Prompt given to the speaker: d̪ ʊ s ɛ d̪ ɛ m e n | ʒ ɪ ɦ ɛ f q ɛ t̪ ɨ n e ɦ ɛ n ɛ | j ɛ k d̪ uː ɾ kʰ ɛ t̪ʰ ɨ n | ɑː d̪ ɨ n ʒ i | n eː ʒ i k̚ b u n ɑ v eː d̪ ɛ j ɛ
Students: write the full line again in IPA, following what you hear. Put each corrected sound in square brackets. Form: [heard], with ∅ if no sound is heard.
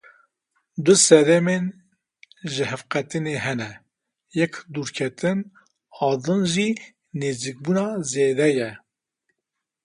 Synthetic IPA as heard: d̪ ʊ s ɛ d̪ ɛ m e n | ʒ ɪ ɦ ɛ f q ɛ t̪ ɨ n e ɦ ɛ n ɛ | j ɛ k d̪ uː ɾ kʰ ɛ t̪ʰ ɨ n | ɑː d̪ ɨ n ʒ i | n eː [z] i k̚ b u n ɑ [z] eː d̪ ɛ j ɛ

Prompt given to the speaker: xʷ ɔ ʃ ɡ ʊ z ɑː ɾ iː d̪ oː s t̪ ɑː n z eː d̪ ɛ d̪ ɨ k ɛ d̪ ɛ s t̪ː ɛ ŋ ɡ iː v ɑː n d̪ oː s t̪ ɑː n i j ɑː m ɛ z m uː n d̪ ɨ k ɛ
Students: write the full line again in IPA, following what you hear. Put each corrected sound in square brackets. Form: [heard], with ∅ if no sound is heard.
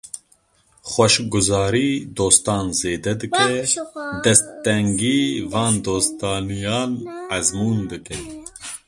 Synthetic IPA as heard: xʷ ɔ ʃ ɡ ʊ z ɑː ɾ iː d̪ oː s t̪ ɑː n z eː d̪ ɛ d̪ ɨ k ɛ d̪ ɛ s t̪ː ɛ ŋ ɡ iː v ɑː n d̪ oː s t̪ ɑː n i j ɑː [n] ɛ z m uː n d̪ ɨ k ɛ

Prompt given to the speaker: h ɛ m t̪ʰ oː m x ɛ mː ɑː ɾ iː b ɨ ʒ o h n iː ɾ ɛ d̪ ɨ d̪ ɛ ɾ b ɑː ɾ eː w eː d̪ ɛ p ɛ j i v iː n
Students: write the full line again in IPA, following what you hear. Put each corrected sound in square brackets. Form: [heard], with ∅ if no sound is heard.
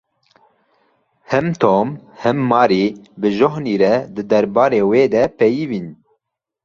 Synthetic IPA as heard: h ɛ m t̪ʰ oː m [h] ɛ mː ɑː ɾ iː b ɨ ʒ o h n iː ɾ ɛ d̪ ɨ d̪ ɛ ɾ b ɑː ɾ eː w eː d̪ ɛ p ɛ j i v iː n

